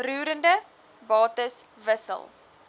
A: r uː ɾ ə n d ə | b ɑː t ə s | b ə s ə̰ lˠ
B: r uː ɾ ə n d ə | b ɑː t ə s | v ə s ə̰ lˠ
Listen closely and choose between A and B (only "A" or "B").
B